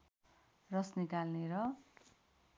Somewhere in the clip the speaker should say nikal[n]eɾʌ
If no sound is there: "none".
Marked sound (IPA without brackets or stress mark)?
n